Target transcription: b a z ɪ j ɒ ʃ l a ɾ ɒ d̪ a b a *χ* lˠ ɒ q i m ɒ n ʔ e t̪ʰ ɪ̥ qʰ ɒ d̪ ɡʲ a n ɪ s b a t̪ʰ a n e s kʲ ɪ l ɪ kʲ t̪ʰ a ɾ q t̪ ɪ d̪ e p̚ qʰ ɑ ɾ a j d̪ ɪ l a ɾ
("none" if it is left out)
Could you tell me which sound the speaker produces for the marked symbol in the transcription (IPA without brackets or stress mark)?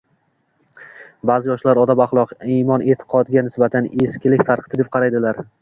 χ